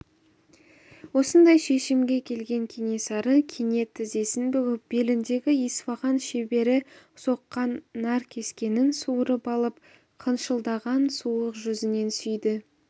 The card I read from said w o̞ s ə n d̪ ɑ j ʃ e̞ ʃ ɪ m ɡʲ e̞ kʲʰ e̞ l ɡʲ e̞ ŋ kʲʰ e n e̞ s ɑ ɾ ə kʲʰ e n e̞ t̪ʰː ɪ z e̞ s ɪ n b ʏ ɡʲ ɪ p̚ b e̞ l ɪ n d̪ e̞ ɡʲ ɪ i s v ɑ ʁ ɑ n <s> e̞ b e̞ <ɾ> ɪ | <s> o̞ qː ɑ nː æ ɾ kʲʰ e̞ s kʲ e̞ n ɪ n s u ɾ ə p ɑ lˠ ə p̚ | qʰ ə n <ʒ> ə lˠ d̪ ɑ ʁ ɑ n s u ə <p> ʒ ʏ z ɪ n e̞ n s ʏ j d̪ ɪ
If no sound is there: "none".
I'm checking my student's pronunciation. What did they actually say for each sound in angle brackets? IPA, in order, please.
ʃ, ɾ, s, ʃ, q

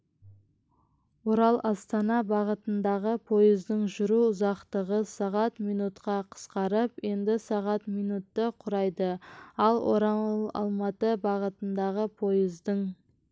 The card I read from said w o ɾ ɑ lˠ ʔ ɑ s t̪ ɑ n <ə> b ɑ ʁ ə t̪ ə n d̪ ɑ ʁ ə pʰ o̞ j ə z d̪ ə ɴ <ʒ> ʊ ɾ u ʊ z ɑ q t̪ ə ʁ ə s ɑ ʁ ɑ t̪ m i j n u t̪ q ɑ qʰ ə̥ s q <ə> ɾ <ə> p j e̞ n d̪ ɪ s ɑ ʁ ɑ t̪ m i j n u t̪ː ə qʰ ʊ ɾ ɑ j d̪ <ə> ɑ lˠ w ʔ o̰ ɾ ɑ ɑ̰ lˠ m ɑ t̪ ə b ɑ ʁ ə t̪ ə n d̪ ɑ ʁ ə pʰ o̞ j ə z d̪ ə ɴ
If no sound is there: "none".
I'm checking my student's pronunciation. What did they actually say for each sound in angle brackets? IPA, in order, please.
ɑ, ʒ, ɑ, ə, ə

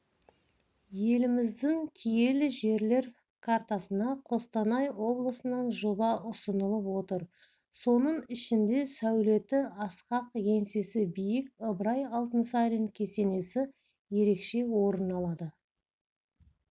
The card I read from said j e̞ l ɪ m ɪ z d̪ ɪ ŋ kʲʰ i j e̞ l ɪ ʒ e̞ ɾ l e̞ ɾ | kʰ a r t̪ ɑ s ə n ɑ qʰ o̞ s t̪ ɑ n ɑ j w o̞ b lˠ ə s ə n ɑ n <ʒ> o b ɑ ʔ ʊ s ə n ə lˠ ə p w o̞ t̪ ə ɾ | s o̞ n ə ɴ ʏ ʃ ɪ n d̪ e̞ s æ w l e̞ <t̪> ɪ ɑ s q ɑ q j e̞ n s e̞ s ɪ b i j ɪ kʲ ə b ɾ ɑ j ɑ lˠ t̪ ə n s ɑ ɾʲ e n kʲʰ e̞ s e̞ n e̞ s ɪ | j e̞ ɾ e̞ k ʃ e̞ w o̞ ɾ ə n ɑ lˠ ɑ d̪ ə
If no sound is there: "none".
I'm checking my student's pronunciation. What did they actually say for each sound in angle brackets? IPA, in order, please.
ʒ, t̪

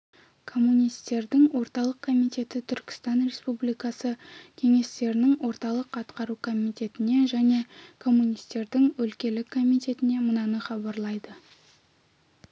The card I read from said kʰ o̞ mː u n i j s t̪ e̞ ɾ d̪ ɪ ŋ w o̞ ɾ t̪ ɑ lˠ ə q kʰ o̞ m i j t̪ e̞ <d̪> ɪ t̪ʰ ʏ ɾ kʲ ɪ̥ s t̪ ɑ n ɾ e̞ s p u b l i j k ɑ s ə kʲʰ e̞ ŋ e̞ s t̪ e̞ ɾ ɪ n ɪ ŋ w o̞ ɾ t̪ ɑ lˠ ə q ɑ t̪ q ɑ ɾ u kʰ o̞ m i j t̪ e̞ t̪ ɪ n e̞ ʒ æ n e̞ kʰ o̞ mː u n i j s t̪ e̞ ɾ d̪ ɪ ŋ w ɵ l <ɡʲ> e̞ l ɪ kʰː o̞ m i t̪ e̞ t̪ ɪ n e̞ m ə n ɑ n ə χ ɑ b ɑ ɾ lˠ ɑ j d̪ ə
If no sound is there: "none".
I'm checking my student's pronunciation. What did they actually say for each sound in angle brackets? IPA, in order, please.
t̪, kʲ

